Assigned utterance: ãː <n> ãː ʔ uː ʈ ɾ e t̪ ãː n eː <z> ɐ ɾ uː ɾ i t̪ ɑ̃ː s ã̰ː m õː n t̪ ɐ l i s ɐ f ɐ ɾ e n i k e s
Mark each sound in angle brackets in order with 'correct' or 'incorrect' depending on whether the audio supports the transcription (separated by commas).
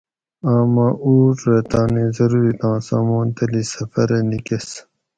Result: incorrect, correct